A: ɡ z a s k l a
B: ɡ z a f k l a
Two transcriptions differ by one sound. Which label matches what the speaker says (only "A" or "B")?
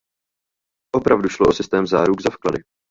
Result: B